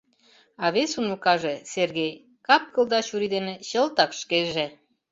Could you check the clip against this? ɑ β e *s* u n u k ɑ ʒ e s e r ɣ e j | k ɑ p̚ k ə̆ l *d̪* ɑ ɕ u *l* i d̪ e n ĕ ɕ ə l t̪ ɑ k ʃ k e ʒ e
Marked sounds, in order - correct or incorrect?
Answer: correct, correct, incorrect: ɾ

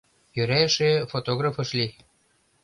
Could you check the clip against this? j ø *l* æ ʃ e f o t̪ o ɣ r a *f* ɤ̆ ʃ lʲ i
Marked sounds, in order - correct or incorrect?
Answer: incorrect: ɾ, correct

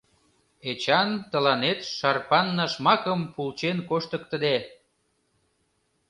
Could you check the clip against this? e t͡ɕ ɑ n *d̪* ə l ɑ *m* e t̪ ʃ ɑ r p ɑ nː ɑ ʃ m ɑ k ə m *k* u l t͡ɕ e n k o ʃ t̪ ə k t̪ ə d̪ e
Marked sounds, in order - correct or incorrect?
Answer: incorrect: t̪, incorrect: n, incorrect: p

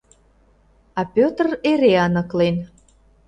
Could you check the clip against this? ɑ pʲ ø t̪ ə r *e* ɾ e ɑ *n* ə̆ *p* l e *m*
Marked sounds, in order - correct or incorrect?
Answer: correct, correct, incorrect: k, incorrect: n

